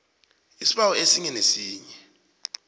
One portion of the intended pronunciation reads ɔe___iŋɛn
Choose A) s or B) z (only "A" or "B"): A